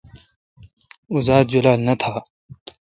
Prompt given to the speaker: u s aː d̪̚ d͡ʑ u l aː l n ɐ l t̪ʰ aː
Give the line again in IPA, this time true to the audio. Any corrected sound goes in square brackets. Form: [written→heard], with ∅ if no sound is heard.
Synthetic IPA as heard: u [s→z] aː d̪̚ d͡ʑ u l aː l n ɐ [l→∅] t̪ʰ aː